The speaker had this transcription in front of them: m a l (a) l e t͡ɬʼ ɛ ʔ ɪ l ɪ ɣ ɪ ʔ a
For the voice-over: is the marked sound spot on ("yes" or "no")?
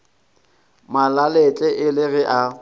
yes